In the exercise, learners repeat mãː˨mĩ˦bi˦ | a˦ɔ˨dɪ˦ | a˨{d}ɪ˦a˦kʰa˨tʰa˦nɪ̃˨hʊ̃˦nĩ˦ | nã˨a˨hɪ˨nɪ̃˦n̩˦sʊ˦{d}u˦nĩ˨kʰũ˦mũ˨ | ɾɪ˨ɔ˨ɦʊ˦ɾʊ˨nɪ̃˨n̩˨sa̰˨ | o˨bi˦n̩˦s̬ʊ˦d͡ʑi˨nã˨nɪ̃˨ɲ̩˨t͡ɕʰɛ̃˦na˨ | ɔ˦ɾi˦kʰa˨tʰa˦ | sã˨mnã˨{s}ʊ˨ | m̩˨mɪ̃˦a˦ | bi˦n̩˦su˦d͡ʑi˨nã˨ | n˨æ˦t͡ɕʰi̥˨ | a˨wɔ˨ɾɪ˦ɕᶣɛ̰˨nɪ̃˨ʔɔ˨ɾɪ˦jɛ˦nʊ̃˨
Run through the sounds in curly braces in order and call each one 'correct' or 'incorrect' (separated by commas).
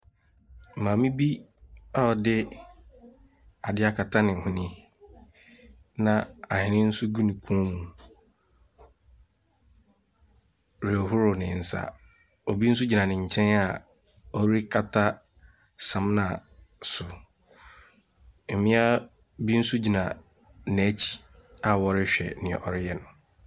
correct, incorrect, correct